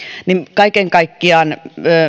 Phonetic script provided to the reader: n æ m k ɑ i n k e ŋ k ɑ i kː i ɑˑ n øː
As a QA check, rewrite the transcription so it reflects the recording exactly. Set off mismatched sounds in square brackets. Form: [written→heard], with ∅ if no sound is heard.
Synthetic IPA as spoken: n [æ→i] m k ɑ i [n→∅] k e ŋ k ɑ i kː i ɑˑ n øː